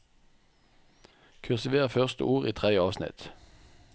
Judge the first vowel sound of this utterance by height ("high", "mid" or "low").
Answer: high